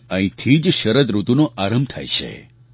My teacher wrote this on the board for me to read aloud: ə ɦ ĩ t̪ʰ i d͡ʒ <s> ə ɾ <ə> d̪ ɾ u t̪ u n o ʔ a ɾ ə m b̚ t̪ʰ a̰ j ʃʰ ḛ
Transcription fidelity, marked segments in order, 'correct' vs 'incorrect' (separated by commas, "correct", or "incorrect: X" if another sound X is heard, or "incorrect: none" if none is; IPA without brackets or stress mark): incorrect: ʃ, correct